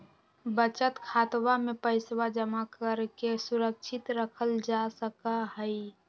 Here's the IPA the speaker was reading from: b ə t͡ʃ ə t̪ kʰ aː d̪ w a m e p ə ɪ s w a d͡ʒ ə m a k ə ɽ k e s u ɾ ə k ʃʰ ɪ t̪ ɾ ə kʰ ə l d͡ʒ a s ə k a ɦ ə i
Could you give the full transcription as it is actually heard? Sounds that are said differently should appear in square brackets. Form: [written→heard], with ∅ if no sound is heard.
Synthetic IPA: b ə t͡ʃ ə t̪ kʰ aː [d̪→t̪] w a m e p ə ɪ s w a d͡ʒ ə m a k ə [ɽ→ɾ] k e s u ɾ ə k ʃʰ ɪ t̪ ɾ ə kʰ ə l d͡ʒ a s ə k a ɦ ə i